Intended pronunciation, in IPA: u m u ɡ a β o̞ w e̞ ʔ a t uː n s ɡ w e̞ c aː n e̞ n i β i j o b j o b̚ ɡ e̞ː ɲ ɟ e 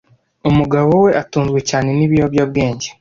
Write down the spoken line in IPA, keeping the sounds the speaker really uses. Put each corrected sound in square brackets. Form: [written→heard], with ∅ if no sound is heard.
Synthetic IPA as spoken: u m u ɡ a β o̞ w e̞ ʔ a t uː n [s→z] ɡ w e̞ c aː n e̞ n i β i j o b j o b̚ ɡ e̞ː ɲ ɟ e